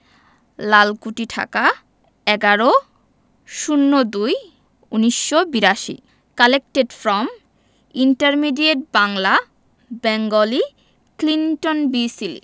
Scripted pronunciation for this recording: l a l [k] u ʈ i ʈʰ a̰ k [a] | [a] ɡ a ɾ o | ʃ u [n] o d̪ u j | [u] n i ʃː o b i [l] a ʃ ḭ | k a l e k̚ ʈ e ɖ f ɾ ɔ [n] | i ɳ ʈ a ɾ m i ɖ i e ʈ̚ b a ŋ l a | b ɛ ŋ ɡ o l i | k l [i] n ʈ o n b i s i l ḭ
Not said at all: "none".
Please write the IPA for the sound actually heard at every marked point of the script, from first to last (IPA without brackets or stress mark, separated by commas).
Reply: k, a, ɛ, nː, u, ɾ, m, i